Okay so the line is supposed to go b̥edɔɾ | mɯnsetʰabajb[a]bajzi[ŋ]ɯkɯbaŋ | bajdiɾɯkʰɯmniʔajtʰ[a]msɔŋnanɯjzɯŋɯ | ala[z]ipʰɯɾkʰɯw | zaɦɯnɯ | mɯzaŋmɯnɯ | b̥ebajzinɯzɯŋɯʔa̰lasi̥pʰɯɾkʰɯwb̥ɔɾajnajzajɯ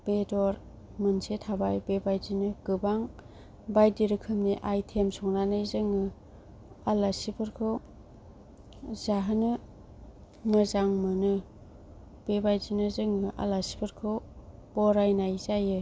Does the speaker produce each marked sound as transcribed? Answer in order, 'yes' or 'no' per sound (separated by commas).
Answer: no, no, no, no